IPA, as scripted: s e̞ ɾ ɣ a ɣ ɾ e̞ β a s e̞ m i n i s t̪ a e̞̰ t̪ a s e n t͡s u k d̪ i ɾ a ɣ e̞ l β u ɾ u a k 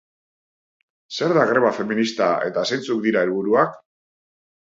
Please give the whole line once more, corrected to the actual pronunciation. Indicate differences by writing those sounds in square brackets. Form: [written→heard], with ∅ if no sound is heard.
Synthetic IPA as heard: s e̞ ɾ [ɣ→ð] a ɣ ɾ e̞ β a [s→f] e̞ m i n i s t̪ a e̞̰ t̪ a s e n t͡s u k d̪ i ɾ a [ɣ→∅] e̞ l β u ɾ u a k